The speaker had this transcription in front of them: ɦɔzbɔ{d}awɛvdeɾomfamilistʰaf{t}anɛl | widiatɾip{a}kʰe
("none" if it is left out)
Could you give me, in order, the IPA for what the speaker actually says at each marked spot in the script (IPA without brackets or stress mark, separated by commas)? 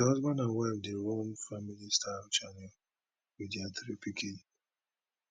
n, t͡ʃ, i